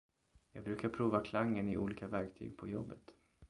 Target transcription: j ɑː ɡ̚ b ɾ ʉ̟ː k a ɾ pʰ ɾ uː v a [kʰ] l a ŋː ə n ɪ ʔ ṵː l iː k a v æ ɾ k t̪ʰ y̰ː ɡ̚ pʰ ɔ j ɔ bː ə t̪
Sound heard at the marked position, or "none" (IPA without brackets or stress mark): kʰ